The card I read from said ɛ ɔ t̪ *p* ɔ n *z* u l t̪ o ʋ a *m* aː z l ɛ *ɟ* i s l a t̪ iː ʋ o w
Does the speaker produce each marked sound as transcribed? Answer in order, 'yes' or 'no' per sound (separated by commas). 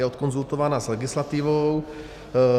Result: no, yes, no, no